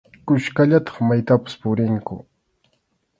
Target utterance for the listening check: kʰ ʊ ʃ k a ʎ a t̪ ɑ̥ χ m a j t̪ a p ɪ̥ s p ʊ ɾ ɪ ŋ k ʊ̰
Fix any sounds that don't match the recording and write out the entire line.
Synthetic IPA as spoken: k ʊ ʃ k a ʎ a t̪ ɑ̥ χ m a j t̪ a p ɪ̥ s p ʊ ɾ ɪ ŋ k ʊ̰